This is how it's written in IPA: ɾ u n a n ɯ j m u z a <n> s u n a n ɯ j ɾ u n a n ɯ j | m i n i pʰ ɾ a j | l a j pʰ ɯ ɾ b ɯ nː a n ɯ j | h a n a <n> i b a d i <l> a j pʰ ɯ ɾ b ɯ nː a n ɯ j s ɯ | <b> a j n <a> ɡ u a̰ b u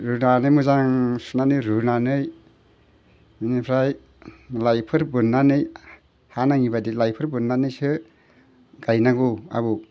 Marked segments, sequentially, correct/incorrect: incorrect, incorrect, correct, incorrect, correct

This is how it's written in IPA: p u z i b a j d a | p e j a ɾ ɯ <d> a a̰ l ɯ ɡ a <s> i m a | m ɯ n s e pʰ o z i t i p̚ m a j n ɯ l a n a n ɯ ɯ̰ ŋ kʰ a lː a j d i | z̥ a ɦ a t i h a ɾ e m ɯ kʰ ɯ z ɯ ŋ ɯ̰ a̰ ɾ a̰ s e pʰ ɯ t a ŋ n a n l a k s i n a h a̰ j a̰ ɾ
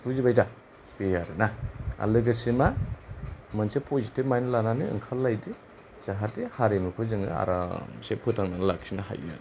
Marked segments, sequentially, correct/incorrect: incorrect, correct

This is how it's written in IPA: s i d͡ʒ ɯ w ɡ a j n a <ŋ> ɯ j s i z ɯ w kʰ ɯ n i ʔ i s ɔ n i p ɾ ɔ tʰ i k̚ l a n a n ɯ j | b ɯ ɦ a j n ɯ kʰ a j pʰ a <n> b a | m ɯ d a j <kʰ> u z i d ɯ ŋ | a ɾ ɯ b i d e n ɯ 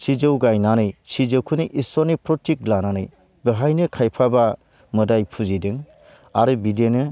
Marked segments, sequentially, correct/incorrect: incorrect, incorrect, incorrect

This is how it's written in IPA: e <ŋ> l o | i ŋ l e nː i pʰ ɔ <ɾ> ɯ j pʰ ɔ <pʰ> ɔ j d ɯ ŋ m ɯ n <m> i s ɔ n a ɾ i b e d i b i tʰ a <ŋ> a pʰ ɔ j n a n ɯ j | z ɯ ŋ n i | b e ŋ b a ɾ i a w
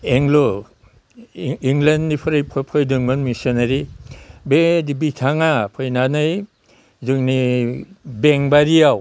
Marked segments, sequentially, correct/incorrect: correct, correct, correct, correct, correct

